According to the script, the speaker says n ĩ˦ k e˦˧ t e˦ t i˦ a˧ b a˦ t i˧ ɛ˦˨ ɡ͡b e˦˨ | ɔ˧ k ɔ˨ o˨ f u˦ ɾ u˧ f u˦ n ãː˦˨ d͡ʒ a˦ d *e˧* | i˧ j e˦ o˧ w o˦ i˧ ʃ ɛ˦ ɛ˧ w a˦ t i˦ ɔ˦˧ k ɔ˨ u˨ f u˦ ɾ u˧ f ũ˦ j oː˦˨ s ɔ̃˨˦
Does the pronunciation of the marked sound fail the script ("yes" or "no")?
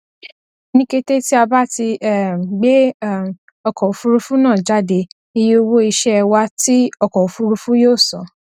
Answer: no